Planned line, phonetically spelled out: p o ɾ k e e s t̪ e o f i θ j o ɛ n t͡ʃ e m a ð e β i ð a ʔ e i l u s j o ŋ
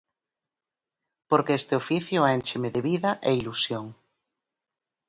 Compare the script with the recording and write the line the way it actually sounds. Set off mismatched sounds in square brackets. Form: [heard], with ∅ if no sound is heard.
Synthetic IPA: p o ɾ k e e s t̪ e o f i θ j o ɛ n t͡ʃ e m [e] ð e β i ð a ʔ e i l u s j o ŋ